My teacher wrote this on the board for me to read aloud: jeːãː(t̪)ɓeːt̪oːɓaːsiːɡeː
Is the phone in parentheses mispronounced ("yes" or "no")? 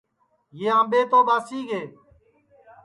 yes